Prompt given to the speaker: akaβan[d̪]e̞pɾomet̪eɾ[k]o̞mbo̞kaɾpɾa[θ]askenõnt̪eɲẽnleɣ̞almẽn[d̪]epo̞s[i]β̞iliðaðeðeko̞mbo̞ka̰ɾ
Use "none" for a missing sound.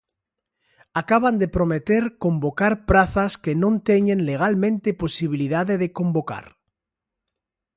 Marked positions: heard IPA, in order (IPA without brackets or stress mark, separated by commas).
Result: d̪, k, θ, t̪, i